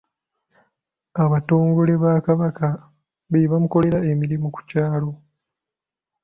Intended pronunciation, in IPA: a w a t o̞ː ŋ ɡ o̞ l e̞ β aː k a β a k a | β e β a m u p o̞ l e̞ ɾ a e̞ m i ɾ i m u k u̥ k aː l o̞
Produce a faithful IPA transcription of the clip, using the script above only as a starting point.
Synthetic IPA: a β a t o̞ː ŋ ɡ o̞ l e̞ β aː k a β a k a | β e β a m u k o̞ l e̞ ɾ a e̞ m i ɾ i m u k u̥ c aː l o̞